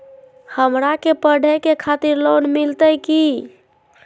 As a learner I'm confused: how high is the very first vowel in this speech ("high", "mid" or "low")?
mid